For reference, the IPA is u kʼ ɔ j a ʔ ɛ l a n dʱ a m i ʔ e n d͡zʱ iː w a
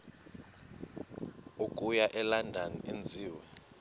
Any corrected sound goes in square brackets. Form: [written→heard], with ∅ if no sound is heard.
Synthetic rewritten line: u kʼ [ɔ→u] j a ʔ ɛ l a n dʱ a [m→n] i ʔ e n d͡zʱ iː w [a→ɛ]